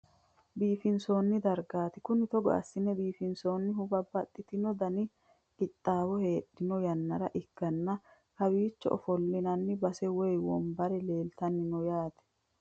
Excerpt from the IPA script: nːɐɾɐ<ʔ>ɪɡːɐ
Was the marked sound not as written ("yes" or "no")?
no